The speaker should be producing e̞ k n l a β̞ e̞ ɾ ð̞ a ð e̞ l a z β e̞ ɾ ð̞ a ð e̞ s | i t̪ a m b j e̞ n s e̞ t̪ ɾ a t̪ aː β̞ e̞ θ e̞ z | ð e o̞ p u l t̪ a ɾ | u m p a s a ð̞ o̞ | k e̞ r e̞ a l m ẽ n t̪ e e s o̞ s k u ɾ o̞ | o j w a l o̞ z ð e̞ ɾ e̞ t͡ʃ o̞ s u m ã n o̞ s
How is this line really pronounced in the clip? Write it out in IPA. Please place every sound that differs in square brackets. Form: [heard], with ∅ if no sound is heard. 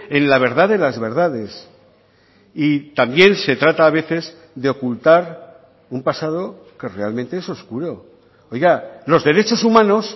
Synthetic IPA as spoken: e̞ [∅] n l a β̞ e̞ ɾ ð̞ a ð e̞ l a z β e̞ ɾ ð̞ a ð e̞ s | i t̪ a m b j e̞ n s e̞ t̪ ɾ a t̪ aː β̞ e̞ θ e̞ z | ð e o̞ [k] u l t̪ a ɾ | u m p a s a ð̞ o̞ | k e̞ r e̞ a l m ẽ n t̪ e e s o̞ s k u ɾ o̞ | o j [ɣ] a l o̞ z ð e̞ ɾ e̞ t͡ʃ o̞ s u m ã n o̞ s